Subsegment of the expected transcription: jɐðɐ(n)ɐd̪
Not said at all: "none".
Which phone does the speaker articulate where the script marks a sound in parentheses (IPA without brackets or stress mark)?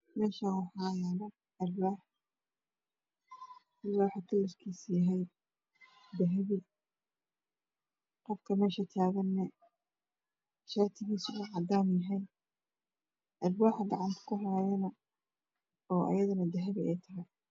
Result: n